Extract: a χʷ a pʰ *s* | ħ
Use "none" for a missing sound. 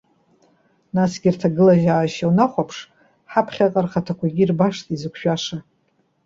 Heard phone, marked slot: ʂ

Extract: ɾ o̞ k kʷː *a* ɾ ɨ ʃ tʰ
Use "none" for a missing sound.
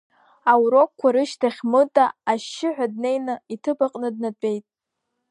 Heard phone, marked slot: a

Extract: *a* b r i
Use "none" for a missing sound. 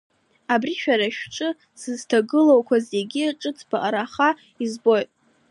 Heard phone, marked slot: a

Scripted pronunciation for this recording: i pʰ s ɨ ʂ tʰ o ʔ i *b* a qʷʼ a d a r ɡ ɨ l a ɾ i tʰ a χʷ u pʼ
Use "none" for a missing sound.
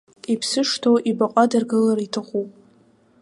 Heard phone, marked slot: b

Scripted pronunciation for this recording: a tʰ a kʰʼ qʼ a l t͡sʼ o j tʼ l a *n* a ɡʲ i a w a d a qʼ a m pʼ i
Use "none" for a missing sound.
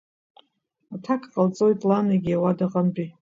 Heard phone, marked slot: n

